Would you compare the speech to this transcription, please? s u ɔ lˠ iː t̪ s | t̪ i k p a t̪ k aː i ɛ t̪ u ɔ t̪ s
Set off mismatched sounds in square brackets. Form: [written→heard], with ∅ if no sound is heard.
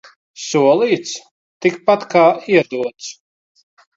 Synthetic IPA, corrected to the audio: s u ɔ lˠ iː t̪ s | t̪ i k p a t̪ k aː i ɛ [t̪→d̪] u ɔ t̪ s

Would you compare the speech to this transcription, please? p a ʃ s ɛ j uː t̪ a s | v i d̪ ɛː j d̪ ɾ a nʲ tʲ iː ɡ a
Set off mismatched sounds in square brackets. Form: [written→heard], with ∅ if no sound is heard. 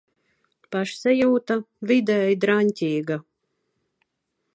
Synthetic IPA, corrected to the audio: p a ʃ s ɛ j uː t̪ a [s→∅] | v i d̪ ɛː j d̪ ɾ a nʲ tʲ iː ɡ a

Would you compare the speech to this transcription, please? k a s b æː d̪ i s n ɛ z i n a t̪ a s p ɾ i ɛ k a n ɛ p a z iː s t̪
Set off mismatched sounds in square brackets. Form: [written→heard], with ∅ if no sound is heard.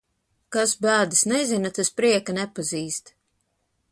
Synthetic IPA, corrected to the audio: k a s b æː d̪ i s n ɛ z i n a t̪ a s p ɾ i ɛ k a n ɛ p a z iː s t̪

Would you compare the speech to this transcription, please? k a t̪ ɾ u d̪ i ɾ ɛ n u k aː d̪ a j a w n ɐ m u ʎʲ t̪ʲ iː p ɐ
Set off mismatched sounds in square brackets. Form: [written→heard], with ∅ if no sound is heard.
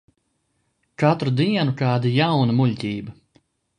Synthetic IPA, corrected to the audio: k a t̪ ɾ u d̪ i [ɾ→∅] ɛ n u k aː d̪ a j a w n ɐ m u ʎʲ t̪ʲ iː [p→b] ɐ

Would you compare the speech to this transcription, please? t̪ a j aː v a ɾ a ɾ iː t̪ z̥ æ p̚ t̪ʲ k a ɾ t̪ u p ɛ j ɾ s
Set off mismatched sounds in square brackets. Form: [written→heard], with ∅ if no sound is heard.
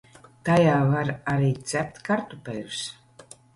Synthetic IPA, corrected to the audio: t̪ a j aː v a ɾ a ɾ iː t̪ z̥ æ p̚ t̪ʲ k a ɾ t̪ u p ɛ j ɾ s

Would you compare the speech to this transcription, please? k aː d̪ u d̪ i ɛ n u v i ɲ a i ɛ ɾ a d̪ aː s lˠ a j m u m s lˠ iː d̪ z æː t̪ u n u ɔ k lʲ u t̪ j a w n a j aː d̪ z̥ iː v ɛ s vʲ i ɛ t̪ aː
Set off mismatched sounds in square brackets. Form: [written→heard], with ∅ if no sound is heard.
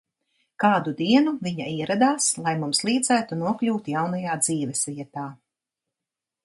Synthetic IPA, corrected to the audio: k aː d̪ u d̪ i ɛ n u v i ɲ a i ɛ ɾ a d̪ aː s lˠ a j m u m s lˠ iː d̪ z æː t̪ u n u ɔ k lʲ [u→uː] t̪ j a w n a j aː d̪ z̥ iː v ɛ s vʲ i ɛ t̪ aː

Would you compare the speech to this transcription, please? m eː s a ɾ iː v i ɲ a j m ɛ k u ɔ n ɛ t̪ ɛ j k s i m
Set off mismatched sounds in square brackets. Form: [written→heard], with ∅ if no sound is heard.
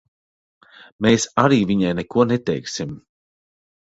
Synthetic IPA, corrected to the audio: m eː s a ɾ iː v i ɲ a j [m→n] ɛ k u ɔ n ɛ t̪ ɛ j k s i m

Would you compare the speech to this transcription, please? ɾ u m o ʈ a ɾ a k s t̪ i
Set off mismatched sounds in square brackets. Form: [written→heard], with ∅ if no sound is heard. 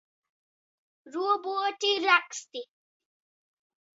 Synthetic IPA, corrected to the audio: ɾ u [m→b] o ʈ [a→i] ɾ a k s t̪ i

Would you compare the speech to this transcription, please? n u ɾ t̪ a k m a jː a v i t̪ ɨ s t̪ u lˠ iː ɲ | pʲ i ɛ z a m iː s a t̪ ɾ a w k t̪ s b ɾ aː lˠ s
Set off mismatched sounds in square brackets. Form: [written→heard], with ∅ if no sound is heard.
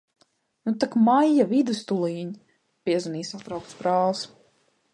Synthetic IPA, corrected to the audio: n u [ɾ→∅] t̪ a k m a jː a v i [t̪→d̪] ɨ s t̪ u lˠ iː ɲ | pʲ i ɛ z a [m→n] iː s a t̪ ɾ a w k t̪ s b ɾ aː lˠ s

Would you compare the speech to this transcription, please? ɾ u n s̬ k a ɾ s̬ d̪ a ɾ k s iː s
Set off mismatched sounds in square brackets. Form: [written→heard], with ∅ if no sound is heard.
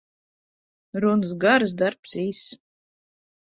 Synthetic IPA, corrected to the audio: ɾ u n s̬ [k→ɡ] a ɾ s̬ d̪ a ɾ [k→p] s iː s

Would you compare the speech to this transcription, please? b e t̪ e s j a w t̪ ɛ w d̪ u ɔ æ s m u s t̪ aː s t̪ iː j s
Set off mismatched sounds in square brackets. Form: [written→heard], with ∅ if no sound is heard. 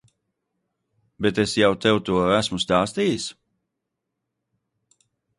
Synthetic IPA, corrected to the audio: b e t̪ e s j a w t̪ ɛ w [d̪→t̪] u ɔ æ s m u s t̪ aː s t̪ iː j s

